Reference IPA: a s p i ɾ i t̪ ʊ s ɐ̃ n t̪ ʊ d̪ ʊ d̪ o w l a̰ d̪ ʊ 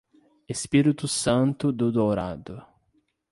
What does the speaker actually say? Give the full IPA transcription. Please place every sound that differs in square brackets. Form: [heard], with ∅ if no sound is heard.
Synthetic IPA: [e] s p i ɾ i t̪ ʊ s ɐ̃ n t̪ ʊ d̪ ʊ d̪ o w [ɾ] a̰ d̪ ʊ